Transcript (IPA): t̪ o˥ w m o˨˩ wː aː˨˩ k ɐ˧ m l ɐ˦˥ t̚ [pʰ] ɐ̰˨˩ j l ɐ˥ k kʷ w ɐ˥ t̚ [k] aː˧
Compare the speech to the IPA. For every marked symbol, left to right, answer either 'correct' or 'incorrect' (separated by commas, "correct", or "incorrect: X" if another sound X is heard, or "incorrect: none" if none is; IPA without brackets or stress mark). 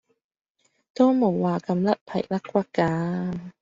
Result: correct, correct